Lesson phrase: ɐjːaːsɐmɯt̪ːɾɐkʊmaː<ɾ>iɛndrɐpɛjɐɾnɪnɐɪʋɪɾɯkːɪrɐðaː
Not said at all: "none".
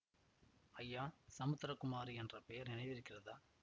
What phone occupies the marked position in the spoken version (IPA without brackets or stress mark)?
ɾ